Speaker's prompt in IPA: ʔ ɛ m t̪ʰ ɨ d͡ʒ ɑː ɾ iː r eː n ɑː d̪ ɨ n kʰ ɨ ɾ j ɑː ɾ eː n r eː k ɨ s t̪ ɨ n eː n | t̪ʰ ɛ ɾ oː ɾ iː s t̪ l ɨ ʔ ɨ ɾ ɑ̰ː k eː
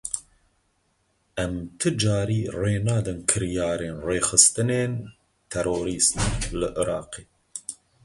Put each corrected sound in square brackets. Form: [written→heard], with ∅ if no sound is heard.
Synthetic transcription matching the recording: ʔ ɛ m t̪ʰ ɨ d͡ʒ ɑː ɾ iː r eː n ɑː d̪ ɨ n kʰ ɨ ɾ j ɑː ɾ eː n r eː [k→x] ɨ s t̪ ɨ n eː n | t̪ʰ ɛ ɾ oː ɾ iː s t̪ l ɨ ʔ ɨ ɾ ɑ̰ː [k→q] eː